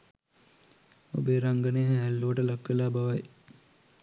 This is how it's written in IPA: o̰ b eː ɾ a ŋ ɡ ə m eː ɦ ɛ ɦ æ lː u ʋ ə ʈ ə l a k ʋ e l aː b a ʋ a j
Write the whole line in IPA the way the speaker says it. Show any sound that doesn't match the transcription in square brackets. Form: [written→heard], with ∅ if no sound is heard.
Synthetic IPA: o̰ b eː ɾ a ŋ ɡ ə [m→n] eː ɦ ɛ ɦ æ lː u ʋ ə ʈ ə l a k ʋ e l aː b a ʋ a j